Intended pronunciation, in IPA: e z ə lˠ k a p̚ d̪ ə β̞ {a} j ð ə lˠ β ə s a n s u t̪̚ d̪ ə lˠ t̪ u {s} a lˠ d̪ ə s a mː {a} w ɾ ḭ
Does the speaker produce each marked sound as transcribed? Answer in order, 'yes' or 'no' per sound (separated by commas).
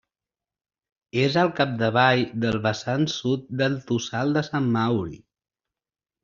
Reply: yes, yes, yes